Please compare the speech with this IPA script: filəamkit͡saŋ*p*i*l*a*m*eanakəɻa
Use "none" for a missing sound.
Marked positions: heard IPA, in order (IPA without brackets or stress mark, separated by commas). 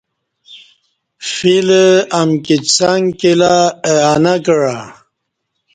k, l, none